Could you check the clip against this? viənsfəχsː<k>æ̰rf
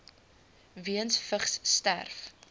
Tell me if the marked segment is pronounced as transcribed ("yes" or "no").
no